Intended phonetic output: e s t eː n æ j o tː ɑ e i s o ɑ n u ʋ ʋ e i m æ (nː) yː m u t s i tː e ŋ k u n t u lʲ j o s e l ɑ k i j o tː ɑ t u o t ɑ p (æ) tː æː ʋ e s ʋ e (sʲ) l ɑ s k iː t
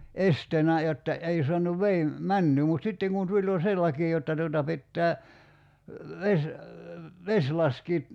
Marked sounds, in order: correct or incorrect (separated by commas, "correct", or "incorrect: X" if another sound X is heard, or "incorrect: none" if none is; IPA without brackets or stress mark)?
correct, incorrect: i, correct